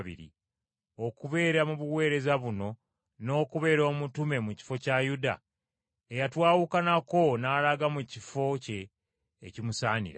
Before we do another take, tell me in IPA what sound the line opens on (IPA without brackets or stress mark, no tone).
β